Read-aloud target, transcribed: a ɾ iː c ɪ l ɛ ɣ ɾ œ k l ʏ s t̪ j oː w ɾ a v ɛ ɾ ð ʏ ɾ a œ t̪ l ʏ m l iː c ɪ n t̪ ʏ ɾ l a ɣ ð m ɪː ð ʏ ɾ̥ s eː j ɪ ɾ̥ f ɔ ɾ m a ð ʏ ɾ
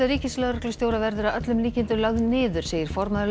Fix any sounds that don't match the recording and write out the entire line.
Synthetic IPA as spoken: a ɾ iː c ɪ l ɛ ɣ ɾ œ k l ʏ s t̪ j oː w ɾ a v ɛ ɾ ð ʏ ɾ a œ t̪ l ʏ m l iː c ɪ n t̪ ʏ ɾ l a ɣ ð n ɪː ð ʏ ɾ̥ s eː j ɪ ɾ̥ f ɔ ɾ m a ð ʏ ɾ

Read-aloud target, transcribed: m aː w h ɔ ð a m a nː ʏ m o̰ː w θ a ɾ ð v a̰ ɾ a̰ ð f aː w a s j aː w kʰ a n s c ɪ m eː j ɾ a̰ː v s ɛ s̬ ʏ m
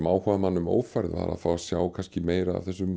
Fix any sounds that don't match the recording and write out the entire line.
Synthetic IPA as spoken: m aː w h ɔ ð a m a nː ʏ m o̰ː w f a ɾ ð v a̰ ɾ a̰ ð f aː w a s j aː w kʰ a n s c ɪ m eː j ɾ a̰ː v θ ɛ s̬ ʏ m

